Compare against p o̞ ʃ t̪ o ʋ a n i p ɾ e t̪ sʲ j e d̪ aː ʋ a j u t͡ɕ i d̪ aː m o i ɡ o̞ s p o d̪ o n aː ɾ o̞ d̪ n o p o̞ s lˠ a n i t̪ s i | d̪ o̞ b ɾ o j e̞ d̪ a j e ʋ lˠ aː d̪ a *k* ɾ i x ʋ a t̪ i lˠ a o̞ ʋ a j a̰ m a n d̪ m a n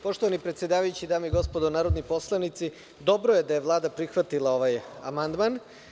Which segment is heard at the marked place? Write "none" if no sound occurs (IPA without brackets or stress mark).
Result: p